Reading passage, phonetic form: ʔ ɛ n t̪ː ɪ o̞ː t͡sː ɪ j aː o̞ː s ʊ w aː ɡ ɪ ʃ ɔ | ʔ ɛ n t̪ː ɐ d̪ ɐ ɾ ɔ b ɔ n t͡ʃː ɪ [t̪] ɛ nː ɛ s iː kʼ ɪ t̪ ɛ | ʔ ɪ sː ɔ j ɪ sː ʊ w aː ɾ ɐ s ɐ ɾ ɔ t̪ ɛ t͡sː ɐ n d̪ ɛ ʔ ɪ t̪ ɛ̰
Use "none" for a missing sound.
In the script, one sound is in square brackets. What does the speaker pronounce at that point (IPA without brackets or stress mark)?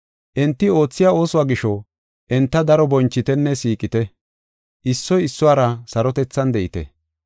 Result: t̪